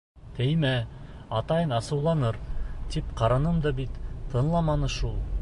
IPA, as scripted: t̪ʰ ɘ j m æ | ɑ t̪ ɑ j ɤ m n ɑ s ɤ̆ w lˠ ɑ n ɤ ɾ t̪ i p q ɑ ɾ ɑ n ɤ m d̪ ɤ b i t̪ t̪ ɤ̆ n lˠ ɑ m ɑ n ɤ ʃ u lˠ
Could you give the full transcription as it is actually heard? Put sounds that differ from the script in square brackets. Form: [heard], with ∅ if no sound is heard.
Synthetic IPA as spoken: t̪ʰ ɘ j m æ | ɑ t̪ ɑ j ɤ [∅] n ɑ s ɤ̆ w lˠ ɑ n ɤ ɾ t̪ i p q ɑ ɾ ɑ n ɤ m d̪ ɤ b i t̪ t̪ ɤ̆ n lˠ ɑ m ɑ n ɤ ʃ u lˠ